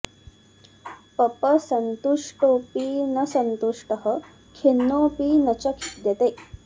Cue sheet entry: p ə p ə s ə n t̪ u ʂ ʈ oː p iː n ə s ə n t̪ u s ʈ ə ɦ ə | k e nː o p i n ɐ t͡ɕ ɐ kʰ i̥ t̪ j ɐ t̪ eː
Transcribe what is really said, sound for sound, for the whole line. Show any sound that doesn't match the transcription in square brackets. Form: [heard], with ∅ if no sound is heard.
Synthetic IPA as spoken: p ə p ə s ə n t̪ u ʂ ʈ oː p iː n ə s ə n t̪ u [ʂ] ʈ ə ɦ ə | [kʰ] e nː o p i n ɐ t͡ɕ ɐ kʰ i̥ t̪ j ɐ t̪ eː